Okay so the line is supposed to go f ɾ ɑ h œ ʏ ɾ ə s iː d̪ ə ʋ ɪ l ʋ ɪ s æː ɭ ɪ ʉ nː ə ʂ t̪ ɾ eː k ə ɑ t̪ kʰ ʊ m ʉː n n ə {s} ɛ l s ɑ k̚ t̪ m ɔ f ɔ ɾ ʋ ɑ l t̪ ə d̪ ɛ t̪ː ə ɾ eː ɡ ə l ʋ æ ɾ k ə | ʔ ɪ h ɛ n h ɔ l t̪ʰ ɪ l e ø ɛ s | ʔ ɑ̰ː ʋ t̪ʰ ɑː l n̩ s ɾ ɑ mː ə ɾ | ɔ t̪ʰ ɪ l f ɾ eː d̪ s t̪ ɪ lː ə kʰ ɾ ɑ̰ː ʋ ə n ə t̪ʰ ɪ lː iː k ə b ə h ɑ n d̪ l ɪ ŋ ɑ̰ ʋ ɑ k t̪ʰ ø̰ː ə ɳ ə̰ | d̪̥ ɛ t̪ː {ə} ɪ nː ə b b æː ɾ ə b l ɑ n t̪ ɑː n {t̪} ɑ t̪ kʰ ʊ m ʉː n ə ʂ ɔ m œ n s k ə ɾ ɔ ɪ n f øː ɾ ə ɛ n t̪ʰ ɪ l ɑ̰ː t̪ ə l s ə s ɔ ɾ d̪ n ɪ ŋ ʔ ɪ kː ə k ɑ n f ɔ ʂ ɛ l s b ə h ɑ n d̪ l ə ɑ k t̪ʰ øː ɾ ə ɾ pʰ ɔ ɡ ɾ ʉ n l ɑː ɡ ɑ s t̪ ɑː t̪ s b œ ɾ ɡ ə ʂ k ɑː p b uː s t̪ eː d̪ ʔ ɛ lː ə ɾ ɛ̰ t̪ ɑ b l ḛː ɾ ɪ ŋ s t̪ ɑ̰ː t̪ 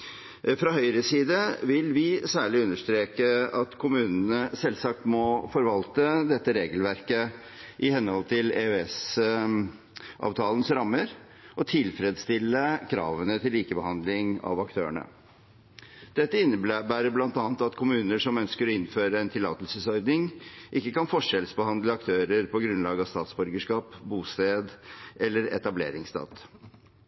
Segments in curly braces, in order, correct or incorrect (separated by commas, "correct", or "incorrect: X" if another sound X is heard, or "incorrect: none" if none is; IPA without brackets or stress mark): correct, correct, correct